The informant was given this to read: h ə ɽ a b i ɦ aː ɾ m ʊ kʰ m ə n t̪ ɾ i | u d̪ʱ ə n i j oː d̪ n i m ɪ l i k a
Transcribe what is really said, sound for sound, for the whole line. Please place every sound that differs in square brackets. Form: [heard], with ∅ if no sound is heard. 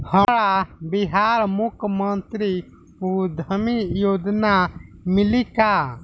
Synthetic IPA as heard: h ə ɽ a b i ɦ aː ɾ m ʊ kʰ m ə n t̪ ɾ i | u d̪ʱ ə [m] i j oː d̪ n [a] m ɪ l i k a